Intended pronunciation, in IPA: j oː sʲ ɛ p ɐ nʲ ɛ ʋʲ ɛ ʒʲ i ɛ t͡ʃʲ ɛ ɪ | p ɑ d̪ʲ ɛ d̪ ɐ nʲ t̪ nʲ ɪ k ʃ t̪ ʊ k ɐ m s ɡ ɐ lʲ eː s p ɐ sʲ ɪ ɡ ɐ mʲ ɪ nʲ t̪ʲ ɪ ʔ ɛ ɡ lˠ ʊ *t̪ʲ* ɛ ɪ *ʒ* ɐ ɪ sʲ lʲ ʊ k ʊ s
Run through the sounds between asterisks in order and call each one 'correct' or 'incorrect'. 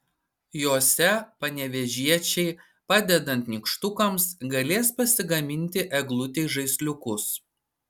correct, correct

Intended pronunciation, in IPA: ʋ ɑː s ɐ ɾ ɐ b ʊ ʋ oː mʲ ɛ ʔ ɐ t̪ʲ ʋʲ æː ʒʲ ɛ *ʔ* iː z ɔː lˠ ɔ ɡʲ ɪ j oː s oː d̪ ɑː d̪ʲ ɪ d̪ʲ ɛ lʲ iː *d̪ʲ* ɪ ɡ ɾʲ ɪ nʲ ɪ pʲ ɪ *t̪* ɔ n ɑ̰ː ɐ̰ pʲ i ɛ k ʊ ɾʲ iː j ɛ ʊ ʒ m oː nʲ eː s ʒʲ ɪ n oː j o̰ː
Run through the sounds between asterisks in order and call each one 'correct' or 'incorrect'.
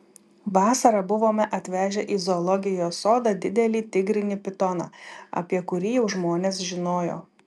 correct, incorrect, correct

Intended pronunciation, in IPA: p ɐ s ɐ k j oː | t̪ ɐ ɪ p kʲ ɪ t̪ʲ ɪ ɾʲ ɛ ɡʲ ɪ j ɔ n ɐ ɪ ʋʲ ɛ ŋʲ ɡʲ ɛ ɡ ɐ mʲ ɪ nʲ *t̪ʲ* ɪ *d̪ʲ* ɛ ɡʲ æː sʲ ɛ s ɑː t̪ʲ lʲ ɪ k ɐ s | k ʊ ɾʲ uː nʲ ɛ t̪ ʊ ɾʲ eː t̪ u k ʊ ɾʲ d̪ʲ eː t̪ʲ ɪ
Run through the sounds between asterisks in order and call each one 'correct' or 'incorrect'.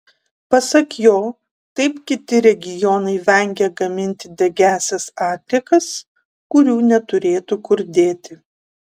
correct, correct

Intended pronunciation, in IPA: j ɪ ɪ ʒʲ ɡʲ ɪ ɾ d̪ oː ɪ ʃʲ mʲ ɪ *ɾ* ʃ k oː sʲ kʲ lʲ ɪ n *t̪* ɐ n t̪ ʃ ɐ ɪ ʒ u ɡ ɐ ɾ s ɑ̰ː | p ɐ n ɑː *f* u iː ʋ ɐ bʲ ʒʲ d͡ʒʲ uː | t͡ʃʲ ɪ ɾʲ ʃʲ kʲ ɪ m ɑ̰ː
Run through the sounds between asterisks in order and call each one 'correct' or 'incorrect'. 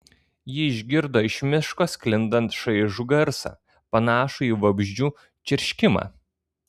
incorrect, incorrect, incorrect

